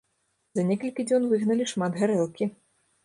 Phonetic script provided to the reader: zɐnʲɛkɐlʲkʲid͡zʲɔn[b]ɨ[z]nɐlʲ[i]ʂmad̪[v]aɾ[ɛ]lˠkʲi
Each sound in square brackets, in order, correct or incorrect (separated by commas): incorrect, incorrect, correct, incorrect, correct